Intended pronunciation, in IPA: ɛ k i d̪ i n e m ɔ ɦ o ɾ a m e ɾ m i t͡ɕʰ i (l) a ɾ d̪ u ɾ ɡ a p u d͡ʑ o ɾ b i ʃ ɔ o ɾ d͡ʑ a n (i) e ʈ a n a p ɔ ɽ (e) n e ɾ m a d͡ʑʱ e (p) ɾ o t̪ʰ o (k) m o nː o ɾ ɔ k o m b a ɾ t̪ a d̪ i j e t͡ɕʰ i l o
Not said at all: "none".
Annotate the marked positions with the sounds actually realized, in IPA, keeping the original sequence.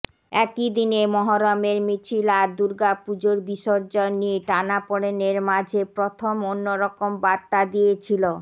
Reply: l, i, e, p, none

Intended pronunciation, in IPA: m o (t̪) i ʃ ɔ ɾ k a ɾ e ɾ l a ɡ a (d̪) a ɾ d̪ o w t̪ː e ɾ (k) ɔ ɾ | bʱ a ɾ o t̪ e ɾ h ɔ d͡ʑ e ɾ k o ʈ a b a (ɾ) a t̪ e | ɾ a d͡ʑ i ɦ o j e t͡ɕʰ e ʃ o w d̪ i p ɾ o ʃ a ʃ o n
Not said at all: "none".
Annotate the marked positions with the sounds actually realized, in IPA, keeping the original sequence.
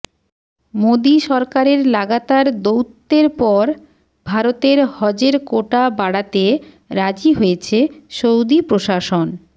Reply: d̪, t̪, p, ɽ

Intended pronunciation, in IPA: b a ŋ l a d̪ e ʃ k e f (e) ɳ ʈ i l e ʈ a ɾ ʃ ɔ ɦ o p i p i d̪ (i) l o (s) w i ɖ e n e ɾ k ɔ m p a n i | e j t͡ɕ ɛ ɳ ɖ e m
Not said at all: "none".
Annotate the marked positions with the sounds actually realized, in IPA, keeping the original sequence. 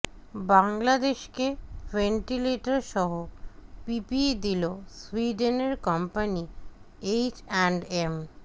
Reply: e, i, s

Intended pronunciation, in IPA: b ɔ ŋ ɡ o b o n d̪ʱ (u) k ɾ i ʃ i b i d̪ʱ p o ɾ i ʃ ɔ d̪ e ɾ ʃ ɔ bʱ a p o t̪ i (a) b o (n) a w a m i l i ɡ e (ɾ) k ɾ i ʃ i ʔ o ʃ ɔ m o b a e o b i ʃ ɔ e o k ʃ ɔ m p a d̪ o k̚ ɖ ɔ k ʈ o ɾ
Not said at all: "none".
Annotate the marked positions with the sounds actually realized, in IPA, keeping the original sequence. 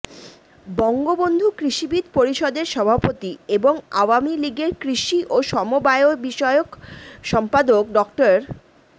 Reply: u, e, ŋ, ɾ

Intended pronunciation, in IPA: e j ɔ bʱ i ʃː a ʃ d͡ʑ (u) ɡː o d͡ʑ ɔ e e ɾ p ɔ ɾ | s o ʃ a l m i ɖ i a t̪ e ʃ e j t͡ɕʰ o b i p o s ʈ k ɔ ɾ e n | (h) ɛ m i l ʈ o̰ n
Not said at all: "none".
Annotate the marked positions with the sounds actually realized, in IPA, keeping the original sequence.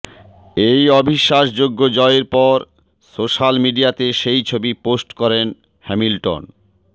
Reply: o, h

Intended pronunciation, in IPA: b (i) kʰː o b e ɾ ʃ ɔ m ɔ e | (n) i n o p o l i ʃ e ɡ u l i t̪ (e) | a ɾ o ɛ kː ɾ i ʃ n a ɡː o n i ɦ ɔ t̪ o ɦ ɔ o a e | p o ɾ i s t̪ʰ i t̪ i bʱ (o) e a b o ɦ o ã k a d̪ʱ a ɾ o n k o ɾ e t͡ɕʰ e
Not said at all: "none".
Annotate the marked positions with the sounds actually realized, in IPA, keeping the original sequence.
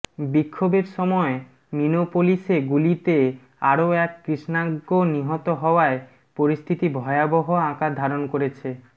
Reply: i, m, e, ɔ

